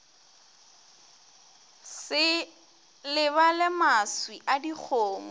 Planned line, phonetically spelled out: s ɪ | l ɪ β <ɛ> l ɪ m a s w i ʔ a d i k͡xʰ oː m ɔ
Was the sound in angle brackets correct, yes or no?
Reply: no